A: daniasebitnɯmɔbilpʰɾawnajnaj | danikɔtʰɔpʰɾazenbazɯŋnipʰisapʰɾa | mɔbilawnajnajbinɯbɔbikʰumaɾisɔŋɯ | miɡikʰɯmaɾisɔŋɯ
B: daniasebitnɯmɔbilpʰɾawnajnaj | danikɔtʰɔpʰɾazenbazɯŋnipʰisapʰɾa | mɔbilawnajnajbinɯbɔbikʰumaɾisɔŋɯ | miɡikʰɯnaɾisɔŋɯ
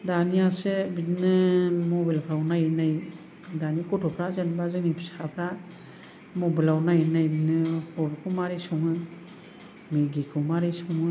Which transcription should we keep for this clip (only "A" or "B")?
A